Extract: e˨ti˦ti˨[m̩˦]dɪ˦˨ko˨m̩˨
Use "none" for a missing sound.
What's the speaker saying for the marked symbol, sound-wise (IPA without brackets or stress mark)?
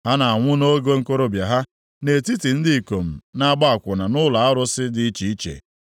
n̩˦